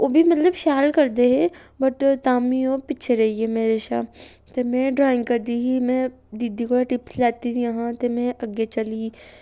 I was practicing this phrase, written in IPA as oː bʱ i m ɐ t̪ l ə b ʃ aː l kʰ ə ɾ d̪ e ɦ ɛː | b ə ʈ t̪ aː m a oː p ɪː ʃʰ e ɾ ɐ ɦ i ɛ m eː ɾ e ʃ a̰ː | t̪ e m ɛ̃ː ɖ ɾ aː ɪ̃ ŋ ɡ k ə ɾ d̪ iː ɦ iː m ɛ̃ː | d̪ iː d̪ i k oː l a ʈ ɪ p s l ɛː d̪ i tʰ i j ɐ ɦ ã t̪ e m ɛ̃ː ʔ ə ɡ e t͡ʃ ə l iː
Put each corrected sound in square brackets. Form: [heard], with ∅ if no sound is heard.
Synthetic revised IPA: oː bʱ i m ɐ t̪ l ə b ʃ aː l [k] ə ɾ d̪ e ɦ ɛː | b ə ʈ t̪ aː m [i] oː p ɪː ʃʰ e ɾ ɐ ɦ i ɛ m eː ɾ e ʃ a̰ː | t̪ e m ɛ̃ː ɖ ɾ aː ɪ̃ ŋ ɡ k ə ɾ d̪ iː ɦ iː m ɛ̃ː | d̪ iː d̪ i k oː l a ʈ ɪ p s l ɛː [t̪] i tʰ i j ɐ ɦ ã t̪ e m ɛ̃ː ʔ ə ɡ e t͡ʃ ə l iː